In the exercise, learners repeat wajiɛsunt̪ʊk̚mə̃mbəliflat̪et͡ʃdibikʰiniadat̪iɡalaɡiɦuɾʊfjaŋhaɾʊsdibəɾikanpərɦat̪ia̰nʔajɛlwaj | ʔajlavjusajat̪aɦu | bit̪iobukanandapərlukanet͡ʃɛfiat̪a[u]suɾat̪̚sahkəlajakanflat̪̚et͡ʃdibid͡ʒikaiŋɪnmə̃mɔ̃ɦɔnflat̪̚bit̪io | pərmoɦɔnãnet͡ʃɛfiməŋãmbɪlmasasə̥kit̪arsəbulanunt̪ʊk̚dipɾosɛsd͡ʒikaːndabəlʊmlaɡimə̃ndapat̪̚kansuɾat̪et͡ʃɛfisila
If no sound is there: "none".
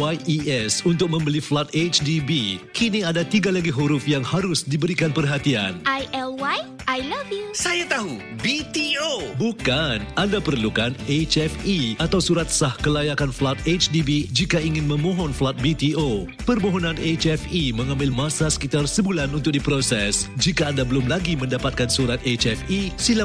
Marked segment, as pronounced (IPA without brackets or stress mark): w